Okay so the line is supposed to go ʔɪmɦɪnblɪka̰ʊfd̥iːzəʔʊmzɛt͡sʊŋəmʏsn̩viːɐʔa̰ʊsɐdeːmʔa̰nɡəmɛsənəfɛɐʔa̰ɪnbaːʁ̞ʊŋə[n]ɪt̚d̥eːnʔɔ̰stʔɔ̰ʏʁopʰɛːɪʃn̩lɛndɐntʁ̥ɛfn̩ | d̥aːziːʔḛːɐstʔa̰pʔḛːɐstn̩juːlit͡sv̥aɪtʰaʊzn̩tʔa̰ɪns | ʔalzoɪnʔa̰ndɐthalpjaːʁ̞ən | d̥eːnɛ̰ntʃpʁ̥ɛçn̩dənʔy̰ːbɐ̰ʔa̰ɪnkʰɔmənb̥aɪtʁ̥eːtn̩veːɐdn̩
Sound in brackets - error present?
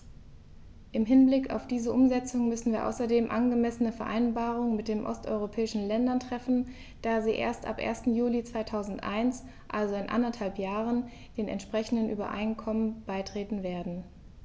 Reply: yes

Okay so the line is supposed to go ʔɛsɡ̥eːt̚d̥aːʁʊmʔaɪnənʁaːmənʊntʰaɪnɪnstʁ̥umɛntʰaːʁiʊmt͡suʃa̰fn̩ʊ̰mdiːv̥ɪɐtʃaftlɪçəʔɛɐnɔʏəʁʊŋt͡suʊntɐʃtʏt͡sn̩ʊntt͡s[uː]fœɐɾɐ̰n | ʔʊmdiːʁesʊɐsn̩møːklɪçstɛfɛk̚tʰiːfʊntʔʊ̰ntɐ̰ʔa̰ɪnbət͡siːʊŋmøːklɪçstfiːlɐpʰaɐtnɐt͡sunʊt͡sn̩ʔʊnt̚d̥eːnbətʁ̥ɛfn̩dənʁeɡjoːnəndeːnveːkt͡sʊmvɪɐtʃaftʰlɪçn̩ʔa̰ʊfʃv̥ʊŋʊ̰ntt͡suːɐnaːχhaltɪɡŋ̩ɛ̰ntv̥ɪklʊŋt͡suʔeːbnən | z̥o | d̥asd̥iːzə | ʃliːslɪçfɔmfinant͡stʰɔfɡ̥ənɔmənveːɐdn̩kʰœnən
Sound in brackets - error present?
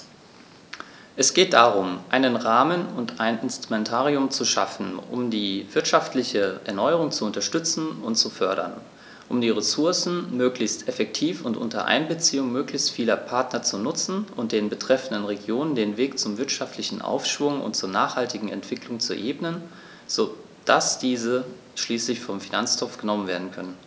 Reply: yes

